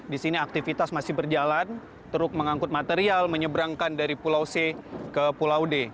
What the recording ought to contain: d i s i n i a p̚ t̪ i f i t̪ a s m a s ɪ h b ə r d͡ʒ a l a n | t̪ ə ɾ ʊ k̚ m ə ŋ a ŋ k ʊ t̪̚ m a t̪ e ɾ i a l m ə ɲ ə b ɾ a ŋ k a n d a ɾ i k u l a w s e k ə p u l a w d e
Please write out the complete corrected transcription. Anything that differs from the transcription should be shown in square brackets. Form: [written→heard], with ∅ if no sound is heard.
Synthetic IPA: d i s i n i a [p̚→k̚] t̪ i f i t̪ a s m a s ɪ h b ə r d͡ʒ a l a n | t̪ ə ɾ ʊ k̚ m ə ŋ a ŋ k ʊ t̪̚ m a t̪ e ɾ i a l m ə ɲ ə b ɾ a ŋ k a n d a ɾ i [k→p] u l a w s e k ə p u l a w d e